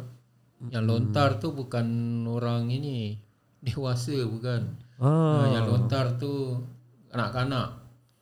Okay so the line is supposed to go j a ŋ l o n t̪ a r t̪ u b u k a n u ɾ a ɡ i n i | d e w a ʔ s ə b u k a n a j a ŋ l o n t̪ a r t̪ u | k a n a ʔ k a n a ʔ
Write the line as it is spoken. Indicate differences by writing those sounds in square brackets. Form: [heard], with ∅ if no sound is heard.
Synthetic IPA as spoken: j a ŋ l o n t̪ a r t̪ u b u k a n [o] ɾ a [ŋ] i n i | d e w a [∅] s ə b u k a n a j a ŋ l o n t̪ a r t̪ u | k a n a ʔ k a n a ʔ